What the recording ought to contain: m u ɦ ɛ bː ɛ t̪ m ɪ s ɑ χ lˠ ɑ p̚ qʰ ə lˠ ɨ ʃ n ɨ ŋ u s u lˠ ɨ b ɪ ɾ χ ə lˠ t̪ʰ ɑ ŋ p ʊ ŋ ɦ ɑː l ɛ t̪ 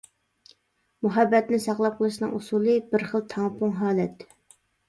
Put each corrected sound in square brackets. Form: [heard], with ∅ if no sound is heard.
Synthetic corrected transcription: m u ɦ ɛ bː ɛ t̪ [n] ɪ s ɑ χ lˠ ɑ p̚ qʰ ə lˠ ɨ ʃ n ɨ ŋ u s u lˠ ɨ b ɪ ɾ χ ə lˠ t̪ʰ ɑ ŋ p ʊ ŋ ɦ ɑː l ɛ t̪